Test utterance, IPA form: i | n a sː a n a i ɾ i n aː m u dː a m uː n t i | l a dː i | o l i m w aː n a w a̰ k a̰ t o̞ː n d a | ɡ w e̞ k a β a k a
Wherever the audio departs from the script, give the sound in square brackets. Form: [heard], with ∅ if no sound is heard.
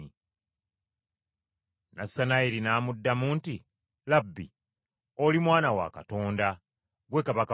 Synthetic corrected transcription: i | n a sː a n a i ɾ i n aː m u dː a m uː n t i | l a [bː] i | o l i m w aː n a w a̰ k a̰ t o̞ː n d a | ɡ w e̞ k a β a k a